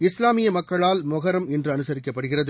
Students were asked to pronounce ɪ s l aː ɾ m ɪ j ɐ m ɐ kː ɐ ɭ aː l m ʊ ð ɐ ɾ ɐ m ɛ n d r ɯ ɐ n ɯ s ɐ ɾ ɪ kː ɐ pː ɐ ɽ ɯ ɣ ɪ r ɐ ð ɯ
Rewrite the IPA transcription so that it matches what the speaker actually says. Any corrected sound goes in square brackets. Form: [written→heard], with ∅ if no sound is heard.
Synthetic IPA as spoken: ɪ s l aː [ɾ→∅] m ɪ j ɐ m ɐ kː ɐ ɭ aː l m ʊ [ð→ɣ] ɐ ɾ ɐ m ɛ n d r ɯ ɐ n ɯ s ɐ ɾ ɪ kː ɐ pː ɐ ɽ ɯ ɣ ɪ r ɐ ð ɯ